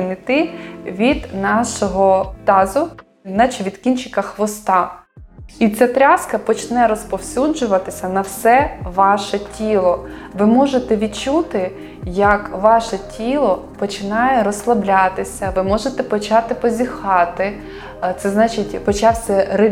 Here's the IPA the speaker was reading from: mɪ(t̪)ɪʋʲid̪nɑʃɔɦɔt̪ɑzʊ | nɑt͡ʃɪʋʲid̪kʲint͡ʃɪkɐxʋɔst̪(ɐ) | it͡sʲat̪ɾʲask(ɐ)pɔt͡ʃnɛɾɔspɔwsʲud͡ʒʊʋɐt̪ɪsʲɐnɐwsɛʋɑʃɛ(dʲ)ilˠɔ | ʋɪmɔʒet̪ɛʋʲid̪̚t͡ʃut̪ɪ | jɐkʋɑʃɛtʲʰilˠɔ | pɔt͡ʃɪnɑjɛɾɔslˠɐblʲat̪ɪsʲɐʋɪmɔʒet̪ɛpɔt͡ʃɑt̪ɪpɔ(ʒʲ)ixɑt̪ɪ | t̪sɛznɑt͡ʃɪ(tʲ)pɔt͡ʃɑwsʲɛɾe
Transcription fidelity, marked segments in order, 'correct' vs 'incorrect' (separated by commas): correct, incorrect, correct, incorrect, incorrect, correct